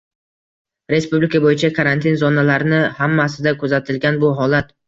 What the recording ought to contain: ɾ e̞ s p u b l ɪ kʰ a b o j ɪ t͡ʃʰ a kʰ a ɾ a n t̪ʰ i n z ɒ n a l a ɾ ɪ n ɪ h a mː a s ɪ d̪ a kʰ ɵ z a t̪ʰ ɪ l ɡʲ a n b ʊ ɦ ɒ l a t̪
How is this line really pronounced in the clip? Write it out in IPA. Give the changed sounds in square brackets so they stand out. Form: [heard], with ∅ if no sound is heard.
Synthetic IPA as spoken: ɾ e̞ s p u b l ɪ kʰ a b o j ɪ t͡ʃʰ a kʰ a ɾ a n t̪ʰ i n z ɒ n a l a ɾ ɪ n ɪ h a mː a s ɪ d̪ a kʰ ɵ z a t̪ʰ ɪ l ɡʲ a n b ʊ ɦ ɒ l a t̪